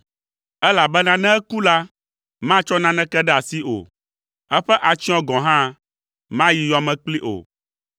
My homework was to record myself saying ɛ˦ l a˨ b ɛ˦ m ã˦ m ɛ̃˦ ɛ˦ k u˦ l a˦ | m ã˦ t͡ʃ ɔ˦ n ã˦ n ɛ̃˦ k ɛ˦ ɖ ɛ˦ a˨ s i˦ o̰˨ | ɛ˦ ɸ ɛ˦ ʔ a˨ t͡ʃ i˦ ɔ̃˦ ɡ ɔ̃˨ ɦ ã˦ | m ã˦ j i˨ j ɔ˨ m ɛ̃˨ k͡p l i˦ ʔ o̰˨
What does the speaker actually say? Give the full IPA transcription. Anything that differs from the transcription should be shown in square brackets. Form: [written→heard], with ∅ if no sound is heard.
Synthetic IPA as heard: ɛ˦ l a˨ b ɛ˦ [m→n] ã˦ [m→n] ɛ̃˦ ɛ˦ k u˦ l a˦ | m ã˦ t͡ʃ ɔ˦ n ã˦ n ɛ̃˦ k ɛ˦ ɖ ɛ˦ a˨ s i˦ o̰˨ | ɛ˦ ɸ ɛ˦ ʔ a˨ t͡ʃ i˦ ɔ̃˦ ɡ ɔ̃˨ ɦ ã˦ | m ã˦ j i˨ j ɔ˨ m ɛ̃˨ k͡p l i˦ ʔ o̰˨